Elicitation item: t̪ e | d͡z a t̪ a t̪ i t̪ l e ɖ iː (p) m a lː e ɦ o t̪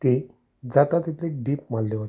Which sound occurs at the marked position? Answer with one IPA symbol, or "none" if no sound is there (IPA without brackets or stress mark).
p